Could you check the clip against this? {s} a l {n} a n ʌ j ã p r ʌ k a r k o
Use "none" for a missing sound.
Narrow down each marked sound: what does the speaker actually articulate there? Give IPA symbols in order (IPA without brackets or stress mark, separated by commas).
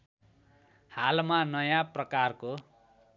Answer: h, m